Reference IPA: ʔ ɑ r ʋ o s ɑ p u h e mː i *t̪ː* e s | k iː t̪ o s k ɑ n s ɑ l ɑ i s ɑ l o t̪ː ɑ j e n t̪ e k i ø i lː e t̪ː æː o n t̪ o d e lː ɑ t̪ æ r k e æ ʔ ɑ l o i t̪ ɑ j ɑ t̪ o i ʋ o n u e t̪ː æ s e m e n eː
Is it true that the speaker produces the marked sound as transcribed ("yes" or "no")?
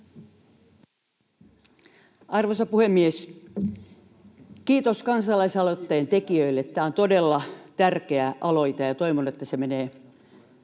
no